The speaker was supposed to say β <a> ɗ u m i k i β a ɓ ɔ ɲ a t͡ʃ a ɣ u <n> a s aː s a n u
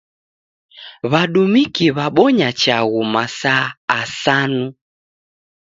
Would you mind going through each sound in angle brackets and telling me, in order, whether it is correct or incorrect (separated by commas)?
correct, incorrect